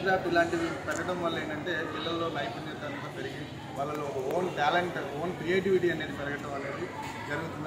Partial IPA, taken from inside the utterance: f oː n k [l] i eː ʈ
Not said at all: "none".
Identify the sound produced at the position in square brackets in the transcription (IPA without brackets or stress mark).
ɾ